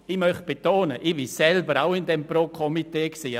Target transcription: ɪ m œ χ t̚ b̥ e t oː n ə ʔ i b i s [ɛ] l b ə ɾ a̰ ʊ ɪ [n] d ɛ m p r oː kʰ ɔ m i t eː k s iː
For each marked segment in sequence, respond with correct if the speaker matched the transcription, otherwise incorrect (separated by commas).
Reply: correct, correct